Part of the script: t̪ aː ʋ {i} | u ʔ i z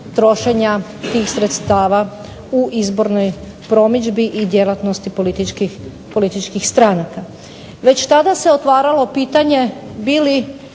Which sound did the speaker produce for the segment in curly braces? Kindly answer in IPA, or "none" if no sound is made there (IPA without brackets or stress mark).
a